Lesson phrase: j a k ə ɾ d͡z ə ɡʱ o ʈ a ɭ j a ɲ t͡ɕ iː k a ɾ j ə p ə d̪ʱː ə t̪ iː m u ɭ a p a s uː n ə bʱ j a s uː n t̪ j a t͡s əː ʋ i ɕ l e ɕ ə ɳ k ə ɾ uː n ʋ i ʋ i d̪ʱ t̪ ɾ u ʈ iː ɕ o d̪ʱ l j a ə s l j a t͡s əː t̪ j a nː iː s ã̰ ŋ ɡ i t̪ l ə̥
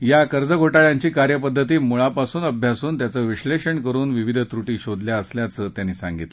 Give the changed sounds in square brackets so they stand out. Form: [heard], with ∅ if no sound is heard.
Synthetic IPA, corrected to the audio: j a k ə ɾ d͡z ə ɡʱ o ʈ a ɭ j a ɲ t͡ɕ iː k a ɾ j ə p ə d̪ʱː ə t̪ iː m u ɭ a p a s uː n ə bʱ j a s uː n t̪ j a t͡s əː ʋ i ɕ l e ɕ ə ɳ k ə ɾ uː n ʋ i ʋ i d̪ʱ t̪ ɾ u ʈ iː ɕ o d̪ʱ l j a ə s l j a t͡s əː t̪ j a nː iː s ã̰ ŋ ɡ i t̪ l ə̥